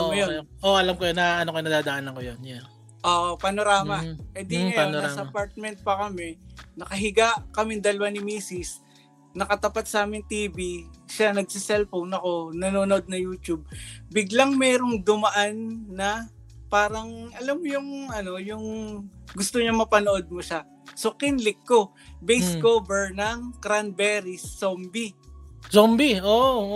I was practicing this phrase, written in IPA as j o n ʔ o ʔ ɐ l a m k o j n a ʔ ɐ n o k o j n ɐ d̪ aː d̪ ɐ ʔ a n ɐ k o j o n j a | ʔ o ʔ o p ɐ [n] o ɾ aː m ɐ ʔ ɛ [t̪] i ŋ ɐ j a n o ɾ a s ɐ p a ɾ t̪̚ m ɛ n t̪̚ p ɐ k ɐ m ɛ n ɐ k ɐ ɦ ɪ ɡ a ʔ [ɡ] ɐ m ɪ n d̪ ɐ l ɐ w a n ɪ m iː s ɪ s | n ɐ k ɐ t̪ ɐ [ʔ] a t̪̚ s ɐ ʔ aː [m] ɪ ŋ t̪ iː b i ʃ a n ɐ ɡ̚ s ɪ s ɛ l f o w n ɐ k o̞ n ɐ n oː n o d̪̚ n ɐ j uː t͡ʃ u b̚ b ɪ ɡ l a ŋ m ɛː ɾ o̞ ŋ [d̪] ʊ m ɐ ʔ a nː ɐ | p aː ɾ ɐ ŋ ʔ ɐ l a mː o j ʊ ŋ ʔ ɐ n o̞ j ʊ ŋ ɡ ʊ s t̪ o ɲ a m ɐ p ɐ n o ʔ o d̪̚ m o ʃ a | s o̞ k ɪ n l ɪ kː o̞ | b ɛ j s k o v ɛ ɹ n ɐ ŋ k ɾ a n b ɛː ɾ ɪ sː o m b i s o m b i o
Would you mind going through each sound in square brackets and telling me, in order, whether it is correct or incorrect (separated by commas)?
correct, incorrect, incorrect, incorrect, correct, correct